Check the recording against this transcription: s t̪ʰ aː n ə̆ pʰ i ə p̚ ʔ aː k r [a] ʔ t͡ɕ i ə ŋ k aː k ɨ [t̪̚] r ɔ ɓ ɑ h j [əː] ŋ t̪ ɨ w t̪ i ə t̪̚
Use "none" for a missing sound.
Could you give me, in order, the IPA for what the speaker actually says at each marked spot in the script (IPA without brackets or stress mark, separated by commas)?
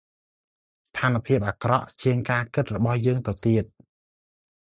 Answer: ɑ, t̪̚, əː